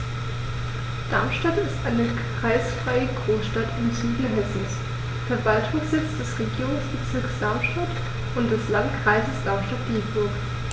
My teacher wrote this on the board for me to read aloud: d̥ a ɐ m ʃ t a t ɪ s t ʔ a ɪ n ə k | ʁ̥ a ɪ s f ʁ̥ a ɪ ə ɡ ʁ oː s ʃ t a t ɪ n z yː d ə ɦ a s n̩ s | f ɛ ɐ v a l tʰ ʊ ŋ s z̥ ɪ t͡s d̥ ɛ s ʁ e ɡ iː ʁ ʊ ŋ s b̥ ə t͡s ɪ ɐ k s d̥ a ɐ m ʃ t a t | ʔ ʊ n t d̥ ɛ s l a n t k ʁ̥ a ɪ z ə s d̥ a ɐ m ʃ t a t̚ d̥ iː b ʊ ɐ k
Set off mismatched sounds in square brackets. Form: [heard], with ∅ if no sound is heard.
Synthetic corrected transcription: d̥ a ɐ m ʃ t a t ɪ s t ʔ a ɪ n ə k | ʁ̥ a ɪ s f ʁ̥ a ɪ ə ɡ ʁ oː s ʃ t a t ɪ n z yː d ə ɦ [ɛ] s n̩ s | f ɛ ɐ v a l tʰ ʊ ŋ s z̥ ɪ t͡s d̥ ɛ s ʁ e ɡ iː ʁ ʊ ŋ s b̥ ə t͡s ɪ ɐ k s d̥ a ɐ m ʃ t a t | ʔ ʊ n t d̥ ɛ s l a n t k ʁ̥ a ɪ z ə s d̥ a ɐ m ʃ t a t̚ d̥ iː b ʊ ɐ k

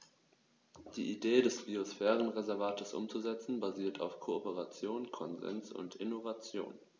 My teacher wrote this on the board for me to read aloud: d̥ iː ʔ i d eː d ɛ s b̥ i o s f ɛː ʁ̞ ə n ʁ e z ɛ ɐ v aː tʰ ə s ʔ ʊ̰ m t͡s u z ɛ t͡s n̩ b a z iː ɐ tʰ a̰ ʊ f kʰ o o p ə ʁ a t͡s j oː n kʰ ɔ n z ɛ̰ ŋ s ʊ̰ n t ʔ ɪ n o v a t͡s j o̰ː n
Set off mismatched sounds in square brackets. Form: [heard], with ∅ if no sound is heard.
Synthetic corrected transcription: d̥ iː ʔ i d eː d ɛ s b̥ i o s f ɛː ʁ̞ ə n ʁ e z ɛ ɐ v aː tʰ ə s ʔ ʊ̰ m t͡s u z ɛ t͡s n̩ b a z iː ɐ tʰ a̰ ʊ f kʰ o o p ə ʁ a t͡s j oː n kʰ ɔ n z ɛ̰ [n] s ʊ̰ n t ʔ ɪ n o v a t͡s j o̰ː n

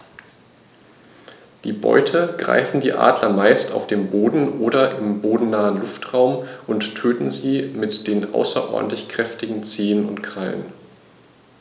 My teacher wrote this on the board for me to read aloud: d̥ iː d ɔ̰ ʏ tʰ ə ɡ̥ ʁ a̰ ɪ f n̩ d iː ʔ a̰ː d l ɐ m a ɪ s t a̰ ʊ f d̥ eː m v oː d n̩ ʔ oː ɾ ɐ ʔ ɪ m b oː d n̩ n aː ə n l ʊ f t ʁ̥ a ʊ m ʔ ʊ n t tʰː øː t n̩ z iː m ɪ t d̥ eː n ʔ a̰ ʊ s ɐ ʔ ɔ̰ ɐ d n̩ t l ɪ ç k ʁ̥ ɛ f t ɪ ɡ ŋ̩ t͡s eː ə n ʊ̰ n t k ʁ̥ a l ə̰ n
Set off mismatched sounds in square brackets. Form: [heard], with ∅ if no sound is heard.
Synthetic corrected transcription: d̥ iː [b] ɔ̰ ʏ tʰ ə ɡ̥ ʁ a̰ ɪ f n̩ d iː ʔ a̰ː d l ɐ m a ɪ s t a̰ ʊ f d̥ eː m [b] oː d n̩ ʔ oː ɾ ɐ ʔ ɪ m b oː d n̩ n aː ə n l ʊ f t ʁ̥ a ʊ m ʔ ʊ n t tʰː øː t n̩ z iː m ɪ t d̥ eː n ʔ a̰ ʊ s ɐ ʔ ɔ̰ ɐ d n̩ t l ɪ ç k ʁ̥ ɛ f t ɪ ɡ ŋ̩ t͡s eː ə n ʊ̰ n t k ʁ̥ a l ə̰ n

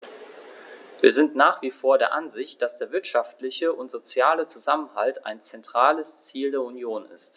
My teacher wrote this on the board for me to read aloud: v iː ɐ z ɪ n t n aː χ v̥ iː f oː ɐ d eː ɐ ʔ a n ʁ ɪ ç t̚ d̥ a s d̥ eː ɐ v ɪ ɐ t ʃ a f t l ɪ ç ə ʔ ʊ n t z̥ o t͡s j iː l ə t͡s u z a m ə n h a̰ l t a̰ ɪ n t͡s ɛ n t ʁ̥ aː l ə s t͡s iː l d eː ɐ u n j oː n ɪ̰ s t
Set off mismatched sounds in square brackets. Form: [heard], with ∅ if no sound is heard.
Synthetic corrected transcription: v iː ɐ z ɪ n t n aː χ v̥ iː f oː ɐ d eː ɐ ʔ a n [z] ɪ ç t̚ d̥ a s d̥ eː ɐ v ɪ ɐ t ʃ a f t l ɪ ç ə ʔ ʊ n t z̥ o t͡s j [aː] l ə t͡s u z a m ə n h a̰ l t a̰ ɪ n t͡s ɛ n t ʁ̥ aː l ə s t͡s iː l d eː ɐ u n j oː n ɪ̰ s t

